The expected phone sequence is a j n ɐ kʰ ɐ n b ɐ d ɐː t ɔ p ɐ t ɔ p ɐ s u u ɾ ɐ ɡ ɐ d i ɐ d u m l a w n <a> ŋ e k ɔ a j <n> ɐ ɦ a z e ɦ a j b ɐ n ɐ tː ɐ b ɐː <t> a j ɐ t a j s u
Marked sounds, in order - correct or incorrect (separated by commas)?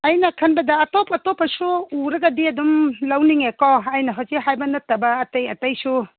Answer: incorrect, correct, correct